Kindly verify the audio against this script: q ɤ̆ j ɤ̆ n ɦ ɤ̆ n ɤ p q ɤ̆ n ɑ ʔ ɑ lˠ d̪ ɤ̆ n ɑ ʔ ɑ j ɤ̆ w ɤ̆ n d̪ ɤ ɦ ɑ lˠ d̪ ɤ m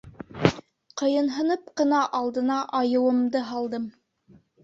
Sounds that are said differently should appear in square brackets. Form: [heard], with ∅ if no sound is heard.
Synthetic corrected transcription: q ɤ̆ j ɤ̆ n ɦ ɤ̆ n ɤ p q ɤ̆ n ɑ ʔ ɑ lˠ d̪ ɤ̆ n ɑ ʔ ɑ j ɤ̆ w ɤ̆ [m] d̪ ɤ ɦ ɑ lˠ d̪ ɤ m